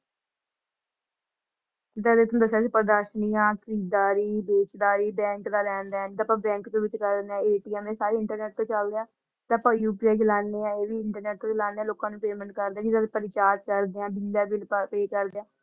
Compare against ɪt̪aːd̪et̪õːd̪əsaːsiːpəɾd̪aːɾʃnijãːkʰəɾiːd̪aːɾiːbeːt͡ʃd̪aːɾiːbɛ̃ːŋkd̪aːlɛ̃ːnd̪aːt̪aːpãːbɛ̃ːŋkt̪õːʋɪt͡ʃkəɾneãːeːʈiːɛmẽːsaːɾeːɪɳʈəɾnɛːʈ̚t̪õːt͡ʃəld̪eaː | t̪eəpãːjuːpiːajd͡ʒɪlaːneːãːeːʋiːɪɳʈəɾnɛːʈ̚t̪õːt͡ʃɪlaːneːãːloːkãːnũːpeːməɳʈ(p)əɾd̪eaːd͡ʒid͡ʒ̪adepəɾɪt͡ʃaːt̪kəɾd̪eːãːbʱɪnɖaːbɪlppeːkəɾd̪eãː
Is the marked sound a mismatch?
yes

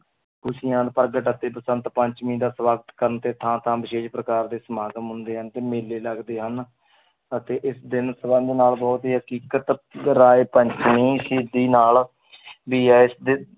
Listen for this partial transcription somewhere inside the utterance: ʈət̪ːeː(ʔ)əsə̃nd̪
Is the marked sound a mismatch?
yes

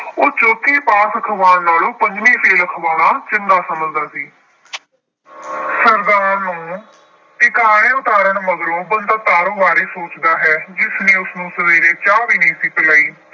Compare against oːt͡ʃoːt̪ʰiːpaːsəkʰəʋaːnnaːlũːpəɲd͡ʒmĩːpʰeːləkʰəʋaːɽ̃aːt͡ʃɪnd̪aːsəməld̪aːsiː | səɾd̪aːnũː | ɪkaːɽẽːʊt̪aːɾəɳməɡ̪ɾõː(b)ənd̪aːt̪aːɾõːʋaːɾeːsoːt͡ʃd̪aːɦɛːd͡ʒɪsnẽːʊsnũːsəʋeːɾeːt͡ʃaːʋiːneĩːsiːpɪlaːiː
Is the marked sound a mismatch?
no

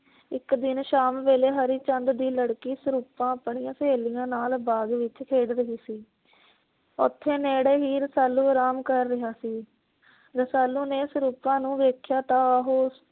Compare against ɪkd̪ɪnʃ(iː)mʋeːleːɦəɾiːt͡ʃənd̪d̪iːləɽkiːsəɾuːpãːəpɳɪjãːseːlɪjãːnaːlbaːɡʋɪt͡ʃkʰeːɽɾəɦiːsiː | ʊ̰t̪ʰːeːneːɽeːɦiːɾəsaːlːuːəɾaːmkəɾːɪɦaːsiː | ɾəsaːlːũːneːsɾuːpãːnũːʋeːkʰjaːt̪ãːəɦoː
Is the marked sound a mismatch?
yes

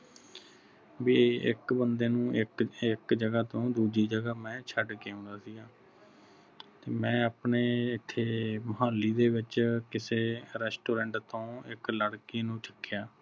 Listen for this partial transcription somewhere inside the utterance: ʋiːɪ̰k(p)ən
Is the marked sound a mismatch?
yes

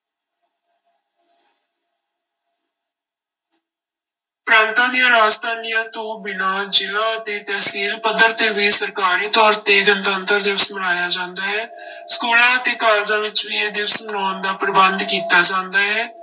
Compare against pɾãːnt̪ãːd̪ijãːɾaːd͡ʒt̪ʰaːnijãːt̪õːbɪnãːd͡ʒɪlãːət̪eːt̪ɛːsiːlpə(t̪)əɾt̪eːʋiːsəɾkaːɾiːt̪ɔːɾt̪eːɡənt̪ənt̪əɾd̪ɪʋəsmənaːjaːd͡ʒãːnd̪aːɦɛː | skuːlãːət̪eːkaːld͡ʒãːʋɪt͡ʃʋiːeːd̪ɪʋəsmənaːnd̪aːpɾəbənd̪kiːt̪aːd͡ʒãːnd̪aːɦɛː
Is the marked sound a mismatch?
yes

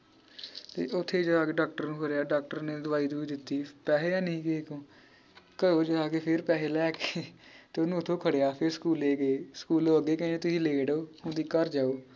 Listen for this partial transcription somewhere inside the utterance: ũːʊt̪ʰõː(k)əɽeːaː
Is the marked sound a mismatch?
yes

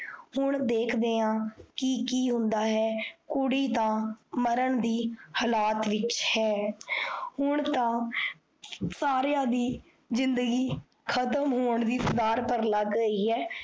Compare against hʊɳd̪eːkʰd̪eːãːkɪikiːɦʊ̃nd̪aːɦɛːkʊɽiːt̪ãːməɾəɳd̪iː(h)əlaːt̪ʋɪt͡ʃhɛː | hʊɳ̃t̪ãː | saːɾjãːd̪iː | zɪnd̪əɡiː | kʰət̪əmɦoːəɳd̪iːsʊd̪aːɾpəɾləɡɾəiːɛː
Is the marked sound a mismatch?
no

